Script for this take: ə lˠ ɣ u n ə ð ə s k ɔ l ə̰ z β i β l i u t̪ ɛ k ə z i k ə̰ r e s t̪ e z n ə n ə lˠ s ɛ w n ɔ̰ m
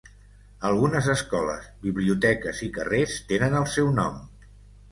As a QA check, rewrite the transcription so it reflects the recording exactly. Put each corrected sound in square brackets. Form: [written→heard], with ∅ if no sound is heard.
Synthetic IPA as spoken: ə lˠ ɣ u n ə [ð→z] ə s k ɔ l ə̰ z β i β l i u t̪ ɛ k ə z i k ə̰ r e s t̪ e [z→∅] n ə n ə lˠ s ɛ w n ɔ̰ m